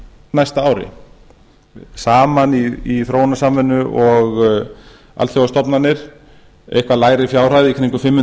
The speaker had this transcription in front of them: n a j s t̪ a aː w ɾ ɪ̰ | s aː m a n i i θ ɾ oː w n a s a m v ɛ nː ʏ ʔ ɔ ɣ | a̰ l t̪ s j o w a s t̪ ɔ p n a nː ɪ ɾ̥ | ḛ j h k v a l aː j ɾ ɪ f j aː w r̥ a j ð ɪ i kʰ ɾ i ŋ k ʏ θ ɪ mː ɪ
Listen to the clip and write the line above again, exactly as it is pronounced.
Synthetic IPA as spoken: n a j s t̪ a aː w ɾ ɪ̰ | s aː m a n i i θ ɾ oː w n a s a m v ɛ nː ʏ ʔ ɔ ɣ | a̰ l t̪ θ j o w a s t̪ ɔ p n a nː ɪ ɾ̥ | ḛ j h k v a l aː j ɾ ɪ f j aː w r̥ a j ð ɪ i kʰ ɾ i ŋ k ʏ f ɪ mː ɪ